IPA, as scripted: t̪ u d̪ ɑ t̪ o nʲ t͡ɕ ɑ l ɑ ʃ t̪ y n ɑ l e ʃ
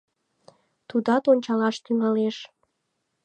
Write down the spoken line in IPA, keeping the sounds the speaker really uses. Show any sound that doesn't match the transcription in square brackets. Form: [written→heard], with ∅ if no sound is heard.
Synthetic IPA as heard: t̪ u d̪ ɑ t̪ o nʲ t͡ɕ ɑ l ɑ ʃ t̪ y [n→ŋ] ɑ l e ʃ